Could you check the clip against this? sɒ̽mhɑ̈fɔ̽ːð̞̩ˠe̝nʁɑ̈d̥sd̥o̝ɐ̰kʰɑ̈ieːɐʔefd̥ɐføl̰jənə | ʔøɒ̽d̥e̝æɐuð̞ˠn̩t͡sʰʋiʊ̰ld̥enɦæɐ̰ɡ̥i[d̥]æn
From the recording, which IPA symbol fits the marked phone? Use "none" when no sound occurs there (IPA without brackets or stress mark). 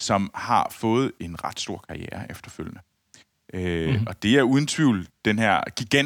ɡ̥